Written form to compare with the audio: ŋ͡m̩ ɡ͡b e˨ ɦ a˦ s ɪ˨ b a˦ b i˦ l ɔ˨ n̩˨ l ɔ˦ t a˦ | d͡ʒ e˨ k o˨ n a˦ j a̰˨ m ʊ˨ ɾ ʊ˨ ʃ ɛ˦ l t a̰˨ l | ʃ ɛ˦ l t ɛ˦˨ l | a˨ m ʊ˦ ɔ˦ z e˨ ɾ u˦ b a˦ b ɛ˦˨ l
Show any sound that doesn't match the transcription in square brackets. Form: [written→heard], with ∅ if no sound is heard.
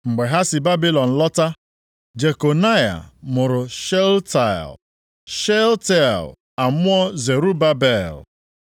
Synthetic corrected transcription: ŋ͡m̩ ɡ͡b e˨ ɦ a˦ s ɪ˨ b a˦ b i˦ l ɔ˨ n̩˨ l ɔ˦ t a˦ | d͡ʒ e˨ k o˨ n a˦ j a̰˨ m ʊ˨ ɾ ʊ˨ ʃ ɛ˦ l t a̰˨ l | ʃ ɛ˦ l t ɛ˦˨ l | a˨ m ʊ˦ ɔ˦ z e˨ ɾ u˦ b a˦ b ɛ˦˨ l

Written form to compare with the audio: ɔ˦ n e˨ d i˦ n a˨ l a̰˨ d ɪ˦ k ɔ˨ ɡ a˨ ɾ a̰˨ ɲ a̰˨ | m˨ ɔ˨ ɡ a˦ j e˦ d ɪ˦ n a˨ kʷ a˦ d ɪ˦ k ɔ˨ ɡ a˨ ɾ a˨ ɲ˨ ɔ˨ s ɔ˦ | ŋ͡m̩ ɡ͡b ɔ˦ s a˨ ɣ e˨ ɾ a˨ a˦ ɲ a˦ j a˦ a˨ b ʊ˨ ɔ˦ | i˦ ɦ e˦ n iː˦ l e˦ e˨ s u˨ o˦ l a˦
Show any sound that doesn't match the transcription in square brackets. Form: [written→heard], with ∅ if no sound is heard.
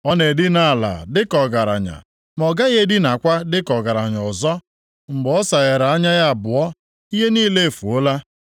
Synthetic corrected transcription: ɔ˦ n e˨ d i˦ n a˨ l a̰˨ d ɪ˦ k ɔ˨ ɡ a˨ ɾ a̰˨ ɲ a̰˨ | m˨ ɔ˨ ɡ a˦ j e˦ d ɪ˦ n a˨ kʷ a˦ d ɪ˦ k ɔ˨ ɡ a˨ ɾ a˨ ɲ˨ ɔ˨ [s→z] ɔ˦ | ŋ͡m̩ ɡ͡b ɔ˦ s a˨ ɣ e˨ ɾ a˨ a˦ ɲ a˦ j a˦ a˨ b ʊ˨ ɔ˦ | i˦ ɦ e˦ n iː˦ l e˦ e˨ [s→f] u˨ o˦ l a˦

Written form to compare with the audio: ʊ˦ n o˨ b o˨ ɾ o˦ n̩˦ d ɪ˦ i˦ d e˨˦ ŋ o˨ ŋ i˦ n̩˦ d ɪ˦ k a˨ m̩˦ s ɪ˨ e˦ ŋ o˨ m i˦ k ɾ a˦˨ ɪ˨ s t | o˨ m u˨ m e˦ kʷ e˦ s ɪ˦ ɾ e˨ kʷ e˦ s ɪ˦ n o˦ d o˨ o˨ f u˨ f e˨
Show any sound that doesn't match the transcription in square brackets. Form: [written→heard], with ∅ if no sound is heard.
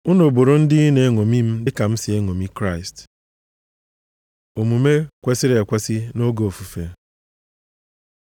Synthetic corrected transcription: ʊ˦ n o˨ b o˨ ɾ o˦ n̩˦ d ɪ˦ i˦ [d→n] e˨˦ ŋ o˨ [ŋ→m] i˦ [n̩˦→m̩˦] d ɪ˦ k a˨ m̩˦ s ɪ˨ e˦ ŋ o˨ m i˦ k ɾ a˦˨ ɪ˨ s t | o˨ m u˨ m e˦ kʷ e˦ s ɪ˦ ɾ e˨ kʷ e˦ s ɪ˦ n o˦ [d→ɡ] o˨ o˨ f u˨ f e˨

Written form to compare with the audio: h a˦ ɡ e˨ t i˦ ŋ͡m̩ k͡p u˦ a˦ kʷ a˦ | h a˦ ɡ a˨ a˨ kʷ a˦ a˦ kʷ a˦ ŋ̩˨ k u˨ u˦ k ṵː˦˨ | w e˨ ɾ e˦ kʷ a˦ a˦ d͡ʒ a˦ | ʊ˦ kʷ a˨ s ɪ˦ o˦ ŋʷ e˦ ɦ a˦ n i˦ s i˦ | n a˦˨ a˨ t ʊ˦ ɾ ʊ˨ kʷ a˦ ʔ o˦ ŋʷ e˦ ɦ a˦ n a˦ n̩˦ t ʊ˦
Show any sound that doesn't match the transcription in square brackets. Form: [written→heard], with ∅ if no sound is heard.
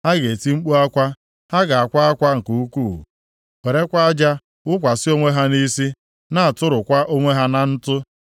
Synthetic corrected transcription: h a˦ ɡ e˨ t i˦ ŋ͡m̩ k͡p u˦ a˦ kʷ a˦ | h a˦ ɡ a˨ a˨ kʷ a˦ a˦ kʷ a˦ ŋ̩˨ k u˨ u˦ k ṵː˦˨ | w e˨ ɾ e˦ kʷ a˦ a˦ d͡ʒ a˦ | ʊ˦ kʷ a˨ s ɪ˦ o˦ ŋʷ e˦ ɦ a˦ n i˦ s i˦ | n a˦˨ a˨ t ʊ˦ ɾ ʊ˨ kʷ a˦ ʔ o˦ ŋʷ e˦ ɦ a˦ n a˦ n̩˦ t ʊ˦

